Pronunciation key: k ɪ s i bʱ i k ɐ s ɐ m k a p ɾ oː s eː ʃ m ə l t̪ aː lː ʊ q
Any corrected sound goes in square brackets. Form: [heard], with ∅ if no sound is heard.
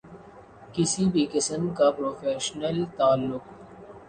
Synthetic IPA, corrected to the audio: k ɪ s i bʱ i k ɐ s [ə] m k a p ɾ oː [f] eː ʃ [n] ə l t̪ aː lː ʊ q

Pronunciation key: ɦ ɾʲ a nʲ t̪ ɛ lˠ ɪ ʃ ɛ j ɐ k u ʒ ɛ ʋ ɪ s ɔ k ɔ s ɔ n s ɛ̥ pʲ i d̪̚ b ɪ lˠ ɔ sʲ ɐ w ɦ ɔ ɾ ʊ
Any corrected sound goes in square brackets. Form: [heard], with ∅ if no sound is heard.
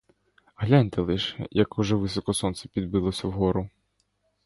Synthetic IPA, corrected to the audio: ɦ [lʲ] a nʲ t̪ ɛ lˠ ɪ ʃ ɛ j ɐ k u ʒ ɛ ʋ ɪ s ɔ k ɔ s ɔ n s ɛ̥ pʲ i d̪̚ b ɪ lˠ ɔ sʲ ɐ w ɦ ɔ ɾ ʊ

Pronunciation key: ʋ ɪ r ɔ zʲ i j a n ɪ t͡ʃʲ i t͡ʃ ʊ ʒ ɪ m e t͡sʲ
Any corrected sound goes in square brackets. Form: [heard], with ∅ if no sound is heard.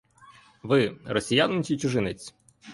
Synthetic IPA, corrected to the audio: ʋ ɪ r ɔ [sʲ] i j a n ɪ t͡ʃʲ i t͡ʃ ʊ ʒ ɪ [n] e t͡sʲ

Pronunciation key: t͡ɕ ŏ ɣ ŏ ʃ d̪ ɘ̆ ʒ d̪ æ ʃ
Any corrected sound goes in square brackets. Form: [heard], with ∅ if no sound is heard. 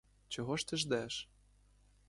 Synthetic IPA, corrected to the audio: t͡ɕ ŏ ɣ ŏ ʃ [t̪] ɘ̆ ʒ d̪ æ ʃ

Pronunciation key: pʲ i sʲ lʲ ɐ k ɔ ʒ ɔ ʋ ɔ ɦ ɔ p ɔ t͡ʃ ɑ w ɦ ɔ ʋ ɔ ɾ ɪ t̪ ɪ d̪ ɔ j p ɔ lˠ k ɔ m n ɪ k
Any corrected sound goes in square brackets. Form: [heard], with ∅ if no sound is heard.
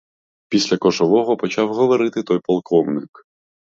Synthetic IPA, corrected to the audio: pʲ i sʲ lʲ ɐ k ɔ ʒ ɔ ʋ ɔ ɦ ɔ p ɔ t͡ʃ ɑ w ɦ ɔ ʋ ɔ ɾ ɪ t̪ ɪ [t̪] ɔ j p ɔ lˠ k ɔ m n ɪ k

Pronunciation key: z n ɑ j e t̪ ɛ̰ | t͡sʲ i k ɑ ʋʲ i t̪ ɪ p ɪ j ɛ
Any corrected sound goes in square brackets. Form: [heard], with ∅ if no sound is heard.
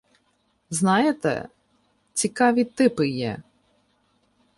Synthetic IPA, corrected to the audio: z n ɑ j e t̪ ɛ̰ | t͡sʲ i k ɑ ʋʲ i t̪ ɪ p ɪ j ɛ

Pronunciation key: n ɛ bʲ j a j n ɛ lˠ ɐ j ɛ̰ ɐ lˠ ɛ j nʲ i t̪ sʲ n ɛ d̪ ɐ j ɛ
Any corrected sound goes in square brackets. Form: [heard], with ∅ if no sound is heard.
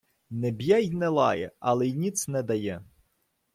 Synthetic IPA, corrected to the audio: n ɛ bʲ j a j n ɛ lˠ [ɑ] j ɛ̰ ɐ lˠ ɛ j nʲ i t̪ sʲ n ɛ d̪ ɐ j ɛ

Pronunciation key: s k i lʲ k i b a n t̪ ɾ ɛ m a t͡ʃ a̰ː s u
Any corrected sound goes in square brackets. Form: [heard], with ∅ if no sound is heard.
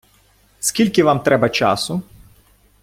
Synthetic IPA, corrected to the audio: s k i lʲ k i [v] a [m] t̪ ɾ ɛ [b] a t͡ʃ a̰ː s u

